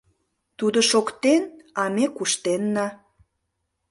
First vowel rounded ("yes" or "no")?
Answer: yes